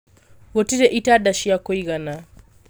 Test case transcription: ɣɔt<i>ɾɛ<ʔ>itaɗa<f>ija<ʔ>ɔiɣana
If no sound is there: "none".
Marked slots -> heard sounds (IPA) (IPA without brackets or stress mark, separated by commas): i, ʔ, ʃ, k